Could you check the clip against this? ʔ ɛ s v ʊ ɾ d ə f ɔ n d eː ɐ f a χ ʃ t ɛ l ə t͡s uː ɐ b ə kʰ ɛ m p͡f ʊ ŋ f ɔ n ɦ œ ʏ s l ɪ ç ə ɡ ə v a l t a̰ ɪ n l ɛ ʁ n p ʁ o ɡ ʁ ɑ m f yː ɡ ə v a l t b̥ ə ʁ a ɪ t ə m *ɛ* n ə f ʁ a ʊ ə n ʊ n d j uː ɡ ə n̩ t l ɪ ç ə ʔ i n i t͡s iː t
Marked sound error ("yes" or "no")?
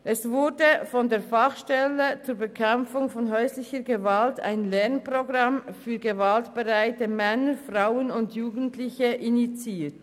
no